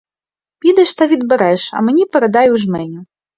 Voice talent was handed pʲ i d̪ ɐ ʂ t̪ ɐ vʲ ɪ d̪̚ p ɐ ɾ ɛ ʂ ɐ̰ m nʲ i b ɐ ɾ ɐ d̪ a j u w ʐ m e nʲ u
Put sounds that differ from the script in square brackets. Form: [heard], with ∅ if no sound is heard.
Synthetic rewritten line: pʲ i d̪ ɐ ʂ t̪ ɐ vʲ [i] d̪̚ [b] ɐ ɾ ɛ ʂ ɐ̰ m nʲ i [p] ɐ ɾ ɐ d̪ a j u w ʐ m [ɛ] nʲ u